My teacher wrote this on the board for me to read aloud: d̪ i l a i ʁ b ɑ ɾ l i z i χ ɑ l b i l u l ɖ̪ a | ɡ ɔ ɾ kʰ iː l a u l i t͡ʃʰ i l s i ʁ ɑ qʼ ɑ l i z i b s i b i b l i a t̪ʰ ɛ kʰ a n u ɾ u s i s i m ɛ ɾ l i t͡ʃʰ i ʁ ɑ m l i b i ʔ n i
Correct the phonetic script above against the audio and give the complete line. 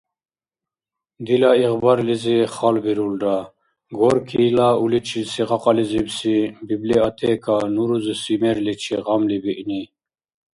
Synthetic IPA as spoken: d̪ i l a i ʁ b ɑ ɾ l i z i χ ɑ l b i ɾ u l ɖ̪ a | ɡ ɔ ɾ kʰ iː l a u l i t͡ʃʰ i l s i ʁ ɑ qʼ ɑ l i z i b s i b i b l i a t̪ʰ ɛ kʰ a n u ɾ u z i s i m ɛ ɾ l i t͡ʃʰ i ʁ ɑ m l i b i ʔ n i